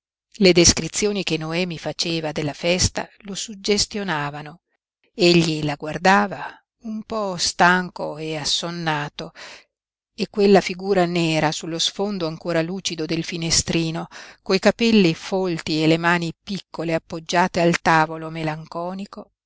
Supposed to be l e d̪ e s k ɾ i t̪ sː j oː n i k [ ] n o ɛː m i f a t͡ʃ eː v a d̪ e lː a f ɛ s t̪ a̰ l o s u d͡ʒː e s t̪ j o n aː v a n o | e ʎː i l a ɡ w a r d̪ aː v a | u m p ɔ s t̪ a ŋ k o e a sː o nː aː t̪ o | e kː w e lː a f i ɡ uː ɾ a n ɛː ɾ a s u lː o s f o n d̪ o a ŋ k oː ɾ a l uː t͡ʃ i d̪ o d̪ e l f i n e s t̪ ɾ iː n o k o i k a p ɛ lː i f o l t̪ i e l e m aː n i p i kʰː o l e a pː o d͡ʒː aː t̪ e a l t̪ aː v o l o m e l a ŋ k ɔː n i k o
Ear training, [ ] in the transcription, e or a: e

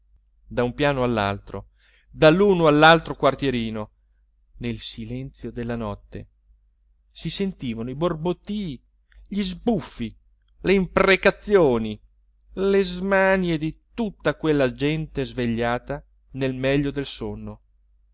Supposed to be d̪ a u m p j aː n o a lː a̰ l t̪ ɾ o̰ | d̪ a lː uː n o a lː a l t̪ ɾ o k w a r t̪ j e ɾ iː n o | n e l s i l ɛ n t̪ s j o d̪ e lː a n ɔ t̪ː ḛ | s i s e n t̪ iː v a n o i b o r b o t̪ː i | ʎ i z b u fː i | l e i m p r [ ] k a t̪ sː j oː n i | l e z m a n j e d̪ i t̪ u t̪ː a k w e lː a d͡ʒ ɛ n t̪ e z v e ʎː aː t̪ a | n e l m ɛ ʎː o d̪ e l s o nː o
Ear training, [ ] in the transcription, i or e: e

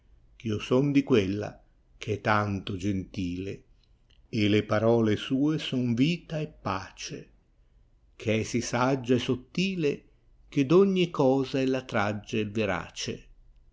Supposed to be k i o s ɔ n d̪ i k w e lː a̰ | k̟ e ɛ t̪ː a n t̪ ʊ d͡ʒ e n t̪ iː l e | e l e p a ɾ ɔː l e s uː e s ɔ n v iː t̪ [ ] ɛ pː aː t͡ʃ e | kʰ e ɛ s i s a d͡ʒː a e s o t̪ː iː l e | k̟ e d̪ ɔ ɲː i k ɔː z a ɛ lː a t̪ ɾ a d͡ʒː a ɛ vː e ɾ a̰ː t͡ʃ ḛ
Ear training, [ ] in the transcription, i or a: a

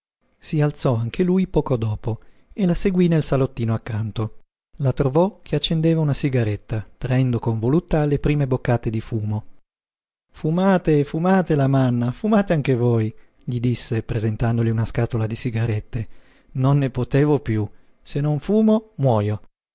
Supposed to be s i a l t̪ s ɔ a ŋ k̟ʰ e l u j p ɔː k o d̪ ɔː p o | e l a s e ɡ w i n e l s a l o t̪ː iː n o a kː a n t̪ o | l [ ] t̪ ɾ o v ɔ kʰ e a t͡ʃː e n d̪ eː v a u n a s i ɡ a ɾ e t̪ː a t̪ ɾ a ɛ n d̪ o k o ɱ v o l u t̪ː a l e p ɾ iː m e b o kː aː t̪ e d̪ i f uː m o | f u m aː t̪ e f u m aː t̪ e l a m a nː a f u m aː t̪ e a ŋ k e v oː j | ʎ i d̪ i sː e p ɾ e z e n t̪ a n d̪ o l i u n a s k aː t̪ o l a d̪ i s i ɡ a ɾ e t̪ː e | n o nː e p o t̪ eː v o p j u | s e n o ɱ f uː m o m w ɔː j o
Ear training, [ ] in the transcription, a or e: a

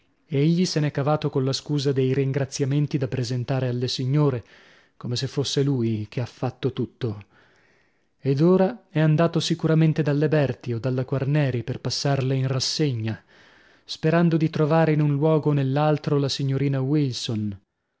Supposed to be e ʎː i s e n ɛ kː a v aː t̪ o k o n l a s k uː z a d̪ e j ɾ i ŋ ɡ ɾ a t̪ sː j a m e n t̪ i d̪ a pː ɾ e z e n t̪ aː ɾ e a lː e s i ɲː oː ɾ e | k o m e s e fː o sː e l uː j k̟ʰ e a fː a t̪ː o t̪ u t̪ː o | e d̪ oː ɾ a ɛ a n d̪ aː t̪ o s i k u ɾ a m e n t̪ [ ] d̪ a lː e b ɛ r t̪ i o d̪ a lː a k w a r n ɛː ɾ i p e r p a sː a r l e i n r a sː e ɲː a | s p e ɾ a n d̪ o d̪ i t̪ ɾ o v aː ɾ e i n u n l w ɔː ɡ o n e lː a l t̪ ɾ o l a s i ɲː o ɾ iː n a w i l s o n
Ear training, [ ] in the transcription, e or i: e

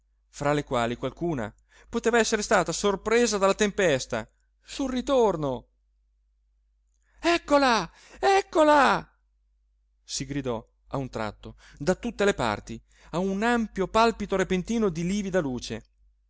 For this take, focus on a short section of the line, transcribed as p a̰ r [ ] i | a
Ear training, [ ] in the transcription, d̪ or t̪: t̪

